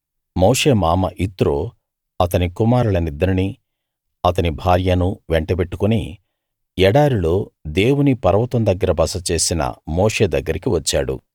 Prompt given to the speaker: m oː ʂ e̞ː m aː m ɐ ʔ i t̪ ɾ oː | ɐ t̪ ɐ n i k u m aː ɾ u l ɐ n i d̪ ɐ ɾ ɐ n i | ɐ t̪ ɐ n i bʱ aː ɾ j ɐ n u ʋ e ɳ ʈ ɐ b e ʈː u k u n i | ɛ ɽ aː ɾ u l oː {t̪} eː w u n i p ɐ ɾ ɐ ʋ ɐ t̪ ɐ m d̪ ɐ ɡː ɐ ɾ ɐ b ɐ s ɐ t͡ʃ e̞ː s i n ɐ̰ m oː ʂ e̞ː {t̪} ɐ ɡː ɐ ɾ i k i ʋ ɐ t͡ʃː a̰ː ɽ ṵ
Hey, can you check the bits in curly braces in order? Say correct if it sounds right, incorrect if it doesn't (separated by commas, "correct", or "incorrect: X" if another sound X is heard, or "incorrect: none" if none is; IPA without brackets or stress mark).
incorrect: d̪, incorrect: d̪